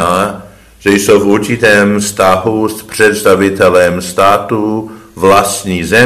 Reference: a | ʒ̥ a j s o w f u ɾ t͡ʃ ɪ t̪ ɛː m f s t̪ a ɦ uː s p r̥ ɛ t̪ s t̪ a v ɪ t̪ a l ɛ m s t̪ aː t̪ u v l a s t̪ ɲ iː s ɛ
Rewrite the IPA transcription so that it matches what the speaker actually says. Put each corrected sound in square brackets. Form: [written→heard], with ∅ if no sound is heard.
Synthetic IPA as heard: a | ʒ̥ [a→ɛ] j s o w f u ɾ t͡ʃ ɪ t̪ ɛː m f s t̪ a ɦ [uː→u] s p r̥ ɛ t̪ s t̪ a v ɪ t̪ [a→ɛ] l ɛ m s t̪ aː t̪ u v l a s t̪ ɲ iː [s→z] ɛ